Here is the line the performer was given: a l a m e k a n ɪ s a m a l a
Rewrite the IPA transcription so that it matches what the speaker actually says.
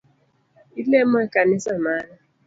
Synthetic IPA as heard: i l e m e k a n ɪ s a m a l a